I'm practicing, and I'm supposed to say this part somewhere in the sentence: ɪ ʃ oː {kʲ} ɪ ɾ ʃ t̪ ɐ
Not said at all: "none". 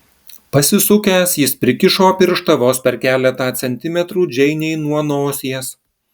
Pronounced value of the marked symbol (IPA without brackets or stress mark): pʲ